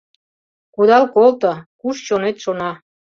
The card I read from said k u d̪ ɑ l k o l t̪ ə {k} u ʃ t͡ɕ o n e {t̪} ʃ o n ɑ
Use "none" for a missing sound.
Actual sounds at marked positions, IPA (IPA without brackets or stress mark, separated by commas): k, t̪